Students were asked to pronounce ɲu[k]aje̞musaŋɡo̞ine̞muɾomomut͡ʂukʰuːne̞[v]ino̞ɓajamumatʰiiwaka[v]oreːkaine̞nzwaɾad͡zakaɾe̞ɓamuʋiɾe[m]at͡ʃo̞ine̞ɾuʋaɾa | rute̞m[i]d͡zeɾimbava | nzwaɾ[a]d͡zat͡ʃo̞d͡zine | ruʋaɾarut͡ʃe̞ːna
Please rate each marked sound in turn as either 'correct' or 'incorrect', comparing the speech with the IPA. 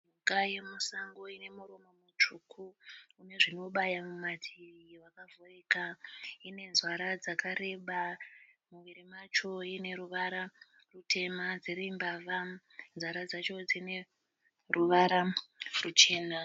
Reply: correct, incorrect: ʐ, correct, correct, incorrect: a, correct

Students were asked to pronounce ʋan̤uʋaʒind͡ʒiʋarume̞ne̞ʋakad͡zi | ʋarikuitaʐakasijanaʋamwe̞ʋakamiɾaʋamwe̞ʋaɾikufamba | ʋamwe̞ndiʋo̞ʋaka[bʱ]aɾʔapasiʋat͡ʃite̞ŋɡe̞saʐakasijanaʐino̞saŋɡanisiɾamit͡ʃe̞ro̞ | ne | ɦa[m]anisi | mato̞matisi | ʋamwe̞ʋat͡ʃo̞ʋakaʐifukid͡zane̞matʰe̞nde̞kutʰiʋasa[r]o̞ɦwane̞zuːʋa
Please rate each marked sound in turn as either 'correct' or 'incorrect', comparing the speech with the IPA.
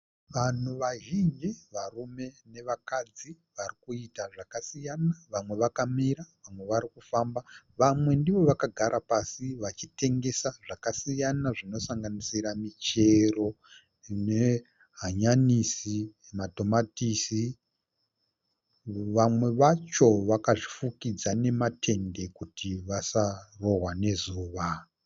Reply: incorrect: ɡʱ, incorrect: ɲ, correct

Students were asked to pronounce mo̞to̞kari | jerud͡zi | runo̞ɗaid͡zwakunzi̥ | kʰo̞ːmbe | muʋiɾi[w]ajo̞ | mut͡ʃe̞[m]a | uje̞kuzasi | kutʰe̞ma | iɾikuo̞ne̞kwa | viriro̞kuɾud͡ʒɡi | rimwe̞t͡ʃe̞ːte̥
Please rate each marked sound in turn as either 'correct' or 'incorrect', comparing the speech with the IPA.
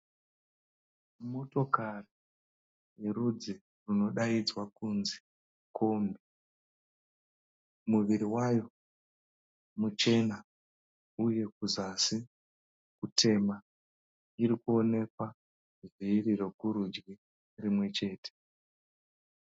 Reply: correct, incorrect: n

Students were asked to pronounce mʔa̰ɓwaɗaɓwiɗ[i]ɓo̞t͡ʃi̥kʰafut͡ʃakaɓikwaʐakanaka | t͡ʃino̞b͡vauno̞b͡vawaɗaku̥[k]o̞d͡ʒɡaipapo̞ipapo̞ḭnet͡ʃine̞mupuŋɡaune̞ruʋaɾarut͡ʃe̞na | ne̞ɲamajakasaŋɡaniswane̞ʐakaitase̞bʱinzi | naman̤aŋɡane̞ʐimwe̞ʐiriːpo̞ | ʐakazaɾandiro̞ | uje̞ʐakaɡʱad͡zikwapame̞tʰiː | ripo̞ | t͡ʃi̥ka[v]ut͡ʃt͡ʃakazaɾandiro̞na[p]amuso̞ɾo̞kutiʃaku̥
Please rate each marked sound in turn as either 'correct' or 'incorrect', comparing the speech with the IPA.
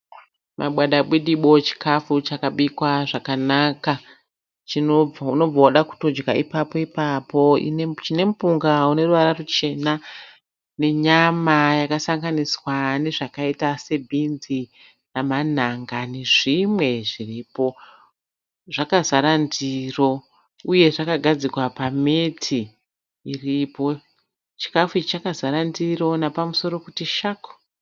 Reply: correct, incorrect: t, incorrect: f, correct

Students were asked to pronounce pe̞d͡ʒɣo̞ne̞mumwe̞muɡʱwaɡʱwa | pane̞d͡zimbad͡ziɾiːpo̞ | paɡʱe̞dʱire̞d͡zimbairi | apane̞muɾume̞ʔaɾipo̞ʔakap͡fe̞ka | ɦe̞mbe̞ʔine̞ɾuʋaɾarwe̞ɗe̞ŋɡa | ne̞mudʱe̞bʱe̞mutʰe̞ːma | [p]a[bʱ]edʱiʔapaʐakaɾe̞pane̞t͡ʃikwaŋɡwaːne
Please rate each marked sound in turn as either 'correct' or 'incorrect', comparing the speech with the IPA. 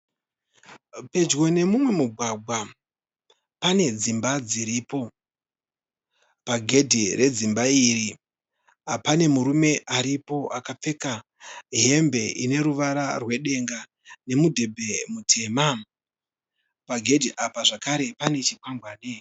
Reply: correct, incorrect: ɡʱ

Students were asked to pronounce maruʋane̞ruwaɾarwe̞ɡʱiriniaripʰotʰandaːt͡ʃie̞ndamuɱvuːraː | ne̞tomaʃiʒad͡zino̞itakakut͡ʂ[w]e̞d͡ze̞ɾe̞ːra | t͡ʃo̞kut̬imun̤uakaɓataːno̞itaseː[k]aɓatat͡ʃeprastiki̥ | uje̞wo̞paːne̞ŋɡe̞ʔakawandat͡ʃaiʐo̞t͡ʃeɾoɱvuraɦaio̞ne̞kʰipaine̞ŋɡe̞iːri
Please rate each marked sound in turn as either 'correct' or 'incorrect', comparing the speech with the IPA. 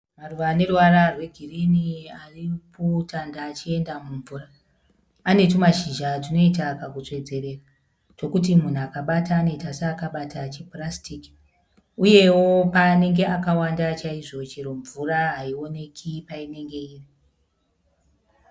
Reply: correct, correct

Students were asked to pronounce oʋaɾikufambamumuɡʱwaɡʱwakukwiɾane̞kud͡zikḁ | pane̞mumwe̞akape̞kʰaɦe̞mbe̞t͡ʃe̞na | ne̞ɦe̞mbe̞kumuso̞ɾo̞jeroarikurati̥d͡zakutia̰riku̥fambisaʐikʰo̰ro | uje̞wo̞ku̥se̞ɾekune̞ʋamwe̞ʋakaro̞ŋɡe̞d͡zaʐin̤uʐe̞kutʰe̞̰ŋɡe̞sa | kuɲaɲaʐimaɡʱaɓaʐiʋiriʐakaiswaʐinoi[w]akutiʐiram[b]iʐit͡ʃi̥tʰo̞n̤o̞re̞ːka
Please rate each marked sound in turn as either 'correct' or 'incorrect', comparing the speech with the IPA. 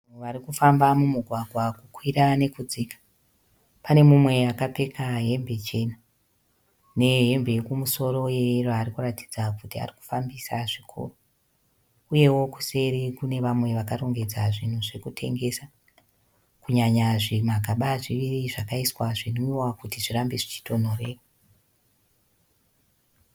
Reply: correct, correct

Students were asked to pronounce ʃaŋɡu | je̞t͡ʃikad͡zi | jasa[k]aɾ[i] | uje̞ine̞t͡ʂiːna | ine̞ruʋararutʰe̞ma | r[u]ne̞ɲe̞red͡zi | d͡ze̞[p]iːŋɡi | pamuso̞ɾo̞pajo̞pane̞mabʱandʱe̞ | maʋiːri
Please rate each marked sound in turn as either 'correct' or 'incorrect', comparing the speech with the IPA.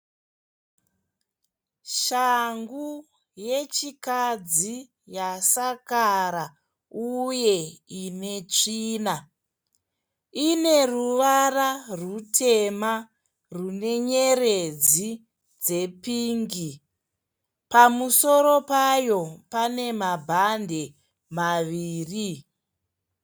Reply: correct, incorrect: a, correct, correct

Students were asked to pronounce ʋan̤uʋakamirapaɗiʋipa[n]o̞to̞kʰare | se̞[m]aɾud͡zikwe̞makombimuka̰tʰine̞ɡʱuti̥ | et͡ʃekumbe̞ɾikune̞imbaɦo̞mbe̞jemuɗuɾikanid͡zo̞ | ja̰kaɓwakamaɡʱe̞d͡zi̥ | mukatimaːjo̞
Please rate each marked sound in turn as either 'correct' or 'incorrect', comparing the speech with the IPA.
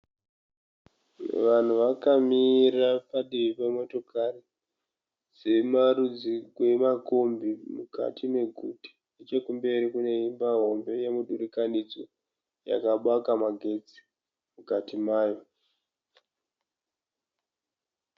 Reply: incorrect: m, correct

